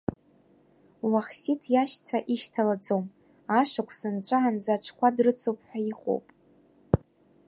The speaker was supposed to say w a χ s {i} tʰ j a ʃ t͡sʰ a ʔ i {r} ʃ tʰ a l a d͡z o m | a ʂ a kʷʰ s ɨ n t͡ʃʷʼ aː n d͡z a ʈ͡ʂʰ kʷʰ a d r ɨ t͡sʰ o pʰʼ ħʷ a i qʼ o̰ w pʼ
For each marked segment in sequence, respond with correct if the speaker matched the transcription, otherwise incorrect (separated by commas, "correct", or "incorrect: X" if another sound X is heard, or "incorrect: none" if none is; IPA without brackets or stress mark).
correct, incorrect: none